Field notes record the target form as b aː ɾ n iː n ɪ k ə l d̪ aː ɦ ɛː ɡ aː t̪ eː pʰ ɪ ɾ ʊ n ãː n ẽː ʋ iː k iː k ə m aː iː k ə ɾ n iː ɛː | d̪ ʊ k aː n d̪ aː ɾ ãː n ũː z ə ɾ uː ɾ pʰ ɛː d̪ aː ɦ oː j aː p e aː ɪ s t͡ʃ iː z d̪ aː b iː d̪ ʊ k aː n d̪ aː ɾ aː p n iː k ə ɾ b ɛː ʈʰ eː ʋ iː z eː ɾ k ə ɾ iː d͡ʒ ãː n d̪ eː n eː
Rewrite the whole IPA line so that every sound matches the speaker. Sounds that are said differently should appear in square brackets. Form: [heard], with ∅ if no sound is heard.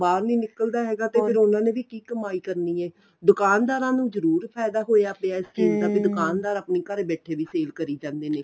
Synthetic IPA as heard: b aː ɾ n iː n ɪ k ə l d̪ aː ɦ ɛː ɡ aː t̪ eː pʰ ɪ ɾ ʊ n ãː n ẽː ʋ iː k iː k ə m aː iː k ə ɾ n iː ɛː | d̪ ʊ k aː n d̪ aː ɾ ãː n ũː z ə ɾ uː ɾ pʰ ɛː d̪ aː ɦ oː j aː p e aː ɪ s t͡ʃ iː z d̪ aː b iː d̪ ʊ k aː n d̪ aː ɾ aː p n iː k ə ɾ b ɛː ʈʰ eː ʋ iː [s] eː [l] k ə ɾ iː d͡ʒ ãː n d̪ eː n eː